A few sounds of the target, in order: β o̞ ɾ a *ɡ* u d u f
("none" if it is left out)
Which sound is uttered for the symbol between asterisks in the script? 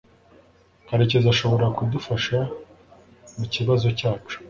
k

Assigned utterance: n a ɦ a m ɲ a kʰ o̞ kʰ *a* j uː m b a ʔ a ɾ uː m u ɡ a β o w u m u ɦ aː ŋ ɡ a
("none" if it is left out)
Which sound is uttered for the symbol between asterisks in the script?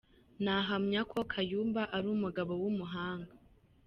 a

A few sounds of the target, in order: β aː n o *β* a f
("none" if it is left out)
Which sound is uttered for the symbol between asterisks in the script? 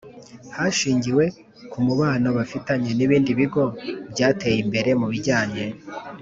β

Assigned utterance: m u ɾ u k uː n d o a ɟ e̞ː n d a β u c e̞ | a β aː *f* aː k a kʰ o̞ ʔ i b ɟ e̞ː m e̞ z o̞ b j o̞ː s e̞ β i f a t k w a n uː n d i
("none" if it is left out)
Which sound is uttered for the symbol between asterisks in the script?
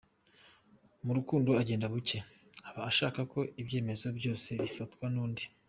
ʃ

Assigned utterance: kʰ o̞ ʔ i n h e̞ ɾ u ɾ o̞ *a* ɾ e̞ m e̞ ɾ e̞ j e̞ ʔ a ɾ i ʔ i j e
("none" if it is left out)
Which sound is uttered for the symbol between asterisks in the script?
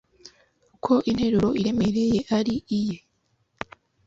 i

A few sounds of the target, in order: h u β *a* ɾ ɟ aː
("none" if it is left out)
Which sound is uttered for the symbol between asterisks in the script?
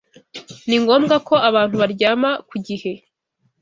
a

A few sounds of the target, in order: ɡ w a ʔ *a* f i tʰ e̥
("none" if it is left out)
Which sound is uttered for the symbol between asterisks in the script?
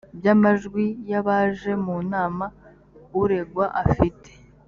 a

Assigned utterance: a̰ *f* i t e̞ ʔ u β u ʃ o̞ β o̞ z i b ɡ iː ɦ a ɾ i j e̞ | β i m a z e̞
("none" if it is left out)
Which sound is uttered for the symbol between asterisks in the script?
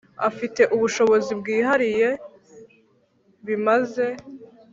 f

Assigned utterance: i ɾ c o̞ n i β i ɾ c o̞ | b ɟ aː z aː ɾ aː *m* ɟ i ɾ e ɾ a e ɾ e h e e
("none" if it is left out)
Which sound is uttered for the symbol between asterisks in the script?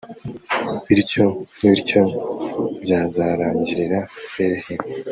ɲ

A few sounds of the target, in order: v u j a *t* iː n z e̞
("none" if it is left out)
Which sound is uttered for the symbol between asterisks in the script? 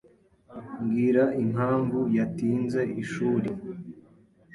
t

